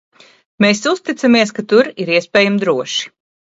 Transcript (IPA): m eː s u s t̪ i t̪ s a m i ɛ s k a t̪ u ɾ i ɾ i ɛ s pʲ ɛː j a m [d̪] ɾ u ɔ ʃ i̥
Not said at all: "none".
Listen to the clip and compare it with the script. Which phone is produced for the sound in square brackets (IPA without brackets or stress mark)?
d̪